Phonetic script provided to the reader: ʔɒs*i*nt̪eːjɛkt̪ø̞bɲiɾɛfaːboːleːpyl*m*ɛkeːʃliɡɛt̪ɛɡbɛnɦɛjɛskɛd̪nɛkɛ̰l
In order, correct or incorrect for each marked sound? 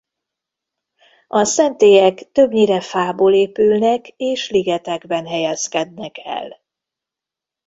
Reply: incorrect: ɛ, incorrect: n

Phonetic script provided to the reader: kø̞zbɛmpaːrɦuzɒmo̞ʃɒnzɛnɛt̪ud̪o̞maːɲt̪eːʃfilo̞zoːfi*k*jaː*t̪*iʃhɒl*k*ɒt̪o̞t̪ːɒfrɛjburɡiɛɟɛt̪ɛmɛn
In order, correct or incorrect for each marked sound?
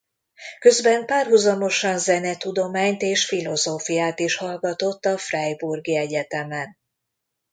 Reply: incorrect: none, correct, incorrect: ɡ

